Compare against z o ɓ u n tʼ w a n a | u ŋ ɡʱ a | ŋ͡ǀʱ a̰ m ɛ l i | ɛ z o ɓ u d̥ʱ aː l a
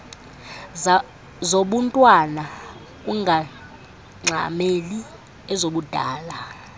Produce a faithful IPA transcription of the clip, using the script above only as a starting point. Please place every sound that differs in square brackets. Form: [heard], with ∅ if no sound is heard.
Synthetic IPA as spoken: z o ɓ u n tʼ w a n a | u ŋ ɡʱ a | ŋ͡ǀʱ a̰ m [e] l i | ɛ z o ɓ u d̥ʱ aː l a